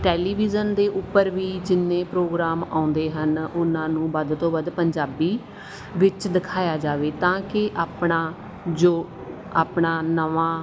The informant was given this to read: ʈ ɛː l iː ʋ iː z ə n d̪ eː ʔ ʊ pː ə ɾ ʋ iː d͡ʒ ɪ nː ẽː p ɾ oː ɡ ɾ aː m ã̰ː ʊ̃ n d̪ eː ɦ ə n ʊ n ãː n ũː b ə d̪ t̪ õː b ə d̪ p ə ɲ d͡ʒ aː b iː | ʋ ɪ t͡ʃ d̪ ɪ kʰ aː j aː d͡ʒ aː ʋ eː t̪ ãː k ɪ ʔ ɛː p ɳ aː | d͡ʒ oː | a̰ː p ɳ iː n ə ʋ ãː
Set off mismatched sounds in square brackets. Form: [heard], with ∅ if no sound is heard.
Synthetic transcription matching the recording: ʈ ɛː l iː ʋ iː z ə n d̪ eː ʔ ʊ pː ə ɾ ʋ iː d͡ʒ ɪ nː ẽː p ɾ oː ɡ ɾ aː m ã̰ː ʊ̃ n d̪ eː ɦ ə n ʊ n ãː n ũː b ə d̪ t̪ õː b ə d̪ p ə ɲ d͡ʒ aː b iː | ʋ ɪ t͡ʃ d̪ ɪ kʰ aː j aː d͡ʒ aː ʋ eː t̪ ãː k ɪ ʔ [aː] p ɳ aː | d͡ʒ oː | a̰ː p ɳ [aː] n ə ʋ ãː